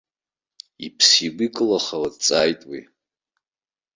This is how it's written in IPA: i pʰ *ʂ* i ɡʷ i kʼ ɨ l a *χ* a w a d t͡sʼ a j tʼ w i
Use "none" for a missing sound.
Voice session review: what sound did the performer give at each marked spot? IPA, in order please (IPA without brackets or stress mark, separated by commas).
s, χ